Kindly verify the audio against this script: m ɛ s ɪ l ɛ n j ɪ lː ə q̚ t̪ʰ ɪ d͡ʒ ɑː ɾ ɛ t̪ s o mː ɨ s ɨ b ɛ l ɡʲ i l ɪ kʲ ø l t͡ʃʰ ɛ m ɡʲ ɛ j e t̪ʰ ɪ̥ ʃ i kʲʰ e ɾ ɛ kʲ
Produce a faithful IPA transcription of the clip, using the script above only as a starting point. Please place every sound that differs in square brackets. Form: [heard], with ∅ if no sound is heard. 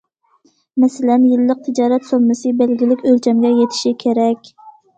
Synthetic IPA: m ɛ s ɪ l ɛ n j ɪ lː ə q̚ t̪ʰ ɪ d͡ʒ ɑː ɾ ɛ t̪ s o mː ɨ s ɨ b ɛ l ɡʲ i l ɪ kʲ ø l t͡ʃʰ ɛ m ɡʲ ɛ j e t̪ʰ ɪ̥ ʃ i kʲʰ e ɾ ɛ kʲ